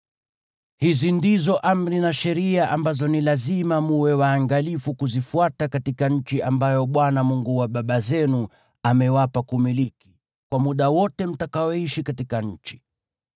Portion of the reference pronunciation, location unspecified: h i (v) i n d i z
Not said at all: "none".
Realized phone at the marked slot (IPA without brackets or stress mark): z